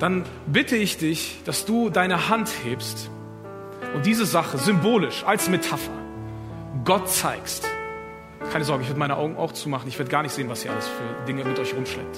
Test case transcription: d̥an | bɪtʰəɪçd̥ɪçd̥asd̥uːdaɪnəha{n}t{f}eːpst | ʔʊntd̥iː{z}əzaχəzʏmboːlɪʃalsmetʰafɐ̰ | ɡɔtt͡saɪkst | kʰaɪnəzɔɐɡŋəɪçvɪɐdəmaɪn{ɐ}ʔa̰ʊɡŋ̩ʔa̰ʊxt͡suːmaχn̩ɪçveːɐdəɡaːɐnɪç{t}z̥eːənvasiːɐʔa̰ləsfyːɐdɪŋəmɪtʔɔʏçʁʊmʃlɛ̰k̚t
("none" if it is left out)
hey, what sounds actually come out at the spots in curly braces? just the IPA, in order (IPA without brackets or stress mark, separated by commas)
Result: n, h, z, ə, t